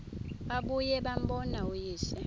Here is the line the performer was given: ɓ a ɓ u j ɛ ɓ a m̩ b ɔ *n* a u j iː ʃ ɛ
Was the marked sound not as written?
no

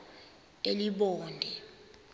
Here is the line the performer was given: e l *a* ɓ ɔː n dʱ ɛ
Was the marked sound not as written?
yes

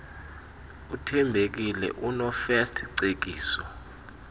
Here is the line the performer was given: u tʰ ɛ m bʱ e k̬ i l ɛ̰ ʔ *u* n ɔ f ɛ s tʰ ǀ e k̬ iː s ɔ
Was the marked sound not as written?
no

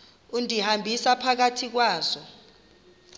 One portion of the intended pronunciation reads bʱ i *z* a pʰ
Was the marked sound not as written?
yes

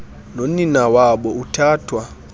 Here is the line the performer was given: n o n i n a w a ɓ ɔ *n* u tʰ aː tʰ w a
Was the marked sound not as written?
yes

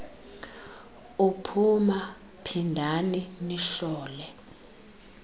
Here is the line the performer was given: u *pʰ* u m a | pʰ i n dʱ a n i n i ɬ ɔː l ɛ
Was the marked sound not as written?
no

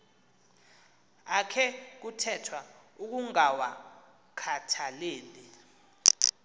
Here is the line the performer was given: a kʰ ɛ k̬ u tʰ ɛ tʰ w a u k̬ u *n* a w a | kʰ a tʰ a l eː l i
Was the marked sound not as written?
yes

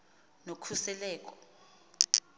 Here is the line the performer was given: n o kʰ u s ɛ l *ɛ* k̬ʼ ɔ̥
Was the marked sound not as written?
yes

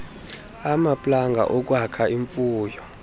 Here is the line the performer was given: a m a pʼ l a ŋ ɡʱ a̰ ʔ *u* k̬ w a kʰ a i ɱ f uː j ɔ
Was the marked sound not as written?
yes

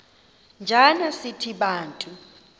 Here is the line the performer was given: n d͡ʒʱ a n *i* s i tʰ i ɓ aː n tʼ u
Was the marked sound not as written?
yes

